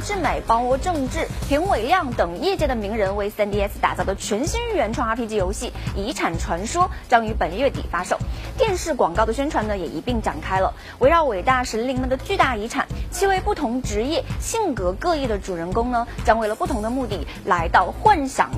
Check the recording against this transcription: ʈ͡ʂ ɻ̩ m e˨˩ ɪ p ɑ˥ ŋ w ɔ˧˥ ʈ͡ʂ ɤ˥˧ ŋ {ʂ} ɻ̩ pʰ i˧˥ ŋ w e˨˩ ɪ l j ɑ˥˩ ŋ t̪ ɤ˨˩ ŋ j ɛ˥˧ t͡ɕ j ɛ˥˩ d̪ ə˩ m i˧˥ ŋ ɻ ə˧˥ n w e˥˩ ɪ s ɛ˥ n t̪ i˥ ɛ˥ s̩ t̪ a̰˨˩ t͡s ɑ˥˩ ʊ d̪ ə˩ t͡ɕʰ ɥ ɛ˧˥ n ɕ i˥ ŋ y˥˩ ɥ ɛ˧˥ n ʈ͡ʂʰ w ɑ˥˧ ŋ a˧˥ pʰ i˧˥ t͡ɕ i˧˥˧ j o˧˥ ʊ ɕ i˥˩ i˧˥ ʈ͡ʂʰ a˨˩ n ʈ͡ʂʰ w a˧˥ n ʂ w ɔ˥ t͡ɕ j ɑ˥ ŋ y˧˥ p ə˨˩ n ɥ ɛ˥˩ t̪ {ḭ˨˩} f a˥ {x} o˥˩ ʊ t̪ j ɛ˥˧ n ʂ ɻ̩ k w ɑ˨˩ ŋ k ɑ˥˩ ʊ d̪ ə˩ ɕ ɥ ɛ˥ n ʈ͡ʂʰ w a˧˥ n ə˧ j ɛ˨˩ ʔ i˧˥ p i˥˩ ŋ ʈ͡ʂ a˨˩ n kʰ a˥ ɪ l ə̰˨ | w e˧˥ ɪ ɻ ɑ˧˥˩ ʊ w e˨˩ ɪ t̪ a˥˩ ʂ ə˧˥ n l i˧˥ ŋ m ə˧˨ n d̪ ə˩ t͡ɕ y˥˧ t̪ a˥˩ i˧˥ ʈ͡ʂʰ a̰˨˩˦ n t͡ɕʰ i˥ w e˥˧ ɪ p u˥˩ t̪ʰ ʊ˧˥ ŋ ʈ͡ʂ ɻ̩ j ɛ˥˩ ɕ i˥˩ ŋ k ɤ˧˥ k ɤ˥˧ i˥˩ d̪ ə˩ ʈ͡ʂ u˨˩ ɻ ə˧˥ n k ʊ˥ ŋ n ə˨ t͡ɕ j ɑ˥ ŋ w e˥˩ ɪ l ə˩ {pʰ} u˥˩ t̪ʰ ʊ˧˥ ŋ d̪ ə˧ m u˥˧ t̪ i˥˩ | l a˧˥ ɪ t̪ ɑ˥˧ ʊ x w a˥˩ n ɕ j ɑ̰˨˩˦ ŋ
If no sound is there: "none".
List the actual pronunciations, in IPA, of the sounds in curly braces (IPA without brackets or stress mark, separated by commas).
ʈ͡ʂ, ḭ˨˩, ʂ, p